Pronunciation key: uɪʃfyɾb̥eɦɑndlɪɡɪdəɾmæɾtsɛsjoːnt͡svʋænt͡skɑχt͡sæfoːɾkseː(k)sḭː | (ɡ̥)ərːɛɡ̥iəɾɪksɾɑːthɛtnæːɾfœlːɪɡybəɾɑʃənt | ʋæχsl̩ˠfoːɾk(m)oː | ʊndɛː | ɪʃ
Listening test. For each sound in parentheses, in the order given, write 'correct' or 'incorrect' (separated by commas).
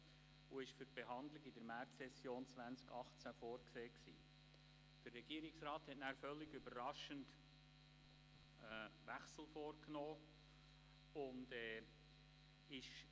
correct, incorrect, incorrect